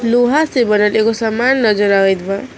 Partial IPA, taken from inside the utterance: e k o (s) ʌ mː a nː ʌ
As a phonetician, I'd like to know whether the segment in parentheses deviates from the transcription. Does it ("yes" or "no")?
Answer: no